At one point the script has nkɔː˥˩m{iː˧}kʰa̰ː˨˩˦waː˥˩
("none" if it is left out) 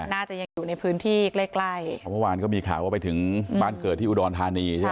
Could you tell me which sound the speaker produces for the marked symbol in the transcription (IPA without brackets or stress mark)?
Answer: iː˧